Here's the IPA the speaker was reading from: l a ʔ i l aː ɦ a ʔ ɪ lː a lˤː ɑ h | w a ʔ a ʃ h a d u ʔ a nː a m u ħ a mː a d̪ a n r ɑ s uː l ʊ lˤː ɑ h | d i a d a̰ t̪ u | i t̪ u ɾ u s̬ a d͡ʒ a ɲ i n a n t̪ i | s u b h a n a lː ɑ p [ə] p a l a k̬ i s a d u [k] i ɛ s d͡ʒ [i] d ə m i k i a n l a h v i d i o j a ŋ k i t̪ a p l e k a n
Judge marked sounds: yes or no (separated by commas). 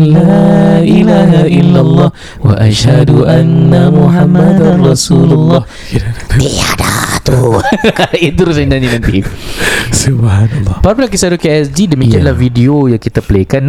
no, yes, yes